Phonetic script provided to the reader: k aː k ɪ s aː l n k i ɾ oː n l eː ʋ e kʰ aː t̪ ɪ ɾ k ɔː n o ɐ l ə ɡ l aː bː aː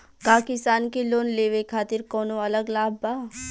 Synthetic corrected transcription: k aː k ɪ s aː n k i l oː n l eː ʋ e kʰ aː t̪ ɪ ɾ k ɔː n o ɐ l ə ɡ l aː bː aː